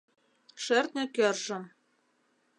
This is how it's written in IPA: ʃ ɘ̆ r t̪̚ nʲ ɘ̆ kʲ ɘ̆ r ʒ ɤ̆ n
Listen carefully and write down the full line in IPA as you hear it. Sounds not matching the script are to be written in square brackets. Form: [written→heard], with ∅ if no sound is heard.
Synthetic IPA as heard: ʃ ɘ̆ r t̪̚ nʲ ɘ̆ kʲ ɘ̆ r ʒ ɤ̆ [n→m]